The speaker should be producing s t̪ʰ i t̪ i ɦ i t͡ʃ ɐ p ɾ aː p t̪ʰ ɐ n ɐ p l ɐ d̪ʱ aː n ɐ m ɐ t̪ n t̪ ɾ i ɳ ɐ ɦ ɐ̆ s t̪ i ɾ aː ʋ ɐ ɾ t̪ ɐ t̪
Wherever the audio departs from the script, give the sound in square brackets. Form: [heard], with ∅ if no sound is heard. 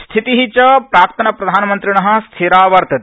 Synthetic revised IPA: s t̪ʰ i t̪ i ɦ i t͡ʃ ɐ p ɾ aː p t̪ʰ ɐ n ɐ p [ɾ] ɐ d̪ʱ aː n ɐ m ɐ [∅] n t̪ ɾ i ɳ ɐ ɦ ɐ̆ s [t̪ʰ] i ɾ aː ʋ ɐ ɾ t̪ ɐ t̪